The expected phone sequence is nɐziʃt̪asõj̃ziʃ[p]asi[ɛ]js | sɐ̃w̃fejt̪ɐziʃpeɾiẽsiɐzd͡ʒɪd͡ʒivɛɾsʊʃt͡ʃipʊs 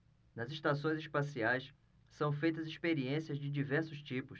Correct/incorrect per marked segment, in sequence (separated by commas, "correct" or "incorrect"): correct, incorrect